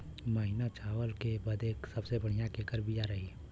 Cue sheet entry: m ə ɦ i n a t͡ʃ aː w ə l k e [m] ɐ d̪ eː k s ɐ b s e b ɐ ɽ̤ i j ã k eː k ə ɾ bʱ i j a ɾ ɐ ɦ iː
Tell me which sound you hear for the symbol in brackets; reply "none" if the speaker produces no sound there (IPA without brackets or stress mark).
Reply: b